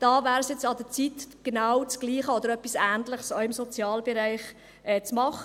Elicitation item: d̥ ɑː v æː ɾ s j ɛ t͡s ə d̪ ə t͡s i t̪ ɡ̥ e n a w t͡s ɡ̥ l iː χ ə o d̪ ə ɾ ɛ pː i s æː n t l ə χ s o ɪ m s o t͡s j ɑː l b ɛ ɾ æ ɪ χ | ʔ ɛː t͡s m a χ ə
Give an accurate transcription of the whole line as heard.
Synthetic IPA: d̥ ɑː v æː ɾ s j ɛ t͡s ɑ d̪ ə t͡s i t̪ ɡ̥ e n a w t͡s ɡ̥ l iː χ ə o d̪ ə ɾ œ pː i s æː n t l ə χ s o ɪ m s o t͡s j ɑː l b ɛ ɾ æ ɪ χ | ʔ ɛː t͡s m ɑ χ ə